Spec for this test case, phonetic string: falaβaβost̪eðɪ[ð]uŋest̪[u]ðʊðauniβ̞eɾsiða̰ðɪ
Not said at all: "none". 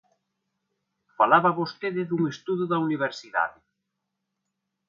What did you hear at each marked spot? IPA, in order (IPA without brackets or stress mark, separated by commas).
ð, u